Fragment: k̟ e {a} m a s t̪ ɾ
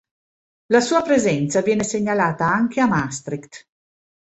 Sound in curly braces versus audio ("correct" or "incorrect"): correct